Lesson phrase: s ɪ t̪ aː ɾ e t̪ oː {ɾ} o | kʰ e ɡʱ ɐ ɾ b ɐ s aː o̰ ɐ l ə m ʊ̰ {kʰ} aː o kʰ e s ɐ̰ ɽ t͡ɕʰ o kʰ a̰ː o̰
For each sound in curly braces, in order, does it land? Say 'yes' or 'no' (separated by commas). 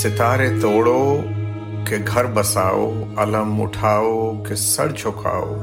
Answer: no, no